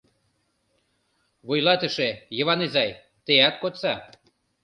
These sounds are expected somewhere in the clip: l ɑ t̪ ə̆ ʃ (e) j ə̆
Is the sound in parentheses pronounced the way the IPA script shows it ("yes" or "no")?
yes